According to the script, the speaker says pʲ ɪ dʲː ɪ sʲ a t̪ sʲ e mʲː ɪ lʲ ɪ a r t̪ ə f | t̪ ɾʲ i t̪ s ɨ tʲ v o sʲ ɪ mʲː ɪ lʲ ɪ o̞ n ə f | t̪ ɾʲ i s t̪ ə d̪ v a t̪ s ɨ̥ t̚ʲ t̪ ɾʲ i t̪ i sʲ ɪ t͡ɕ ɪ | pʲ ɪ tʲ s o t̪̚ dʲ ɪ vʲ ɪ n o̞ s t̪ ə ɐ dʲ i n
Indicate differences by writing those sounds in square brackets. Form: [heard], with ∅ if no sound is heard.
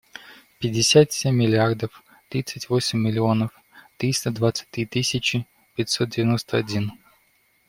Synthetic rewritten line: pʲ ɪ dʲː ɪ sʲ a t̪ sʲ e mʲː ɪ lʲ ɪ a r [d̪] ə f | t̪ ɾʲ i t̪ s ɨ tʲ v o sʲ ɪ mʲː ɪ lʲ ɪ o̞ n ə f | t̪ ɾʲ i s t̪ ə d̪ v a t̪ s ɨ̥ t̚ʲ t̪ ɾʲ i t̪ i sʲ ɪ t͡ɕ ɪ | pʲ ɪ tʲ s o t̪̚ dʲ ɪ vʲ ɪ n o̞ s t̪ ə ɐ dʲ i n